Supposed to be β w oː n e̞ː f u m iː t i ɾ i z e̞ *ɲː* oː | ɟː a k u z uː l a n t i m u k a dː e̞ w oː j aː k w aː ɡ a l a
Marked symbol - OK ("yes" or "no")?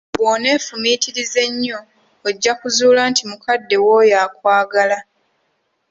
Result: yes